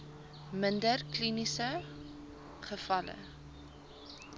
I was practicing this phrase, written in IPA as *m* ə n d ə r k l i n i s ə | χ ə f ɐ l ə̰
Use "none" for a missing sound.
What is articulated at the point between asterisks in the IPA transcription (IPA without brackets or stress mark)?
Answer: m